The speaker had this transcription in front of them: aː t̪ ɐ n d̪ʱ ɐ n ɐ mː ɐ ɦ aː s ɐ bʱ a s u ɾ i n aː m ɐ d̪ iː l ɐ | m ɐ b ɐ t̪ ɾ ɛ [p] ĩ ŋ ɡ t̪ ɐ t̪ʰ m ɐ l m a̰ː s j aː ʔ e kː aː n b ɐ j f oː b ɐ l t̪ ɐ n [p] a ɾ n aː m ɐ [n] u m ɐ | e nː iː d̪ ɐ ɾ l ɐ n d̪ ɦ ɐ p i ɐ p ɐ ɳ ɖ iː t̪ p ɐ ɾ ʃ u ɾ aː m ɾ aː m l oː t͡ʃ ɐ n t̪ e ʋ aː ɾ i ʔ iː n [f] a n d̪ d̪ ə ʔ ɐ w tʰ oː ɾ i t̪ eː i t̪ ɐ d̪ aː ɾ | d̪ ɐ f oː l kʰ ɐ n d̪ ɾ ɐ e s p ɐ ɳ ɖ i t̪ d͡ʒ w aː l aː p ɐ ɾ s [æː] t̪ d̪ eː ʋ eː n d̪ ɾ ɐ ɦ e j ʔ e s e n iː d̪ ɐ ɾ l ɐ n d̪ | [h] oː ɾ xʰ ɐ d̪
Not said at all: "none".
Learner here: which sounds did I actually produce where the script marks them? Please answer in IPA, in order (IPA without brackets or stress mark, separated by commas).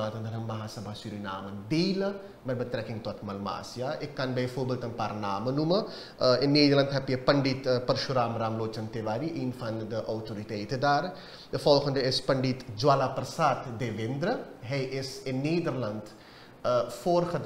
k, p, n, f, aː, f